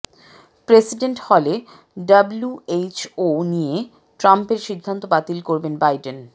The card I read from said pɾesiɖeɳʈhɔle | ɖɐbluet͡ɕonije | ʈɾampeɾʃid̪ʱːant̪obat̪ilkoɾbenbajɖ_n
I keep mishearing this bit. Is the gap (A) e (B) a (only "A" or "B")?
A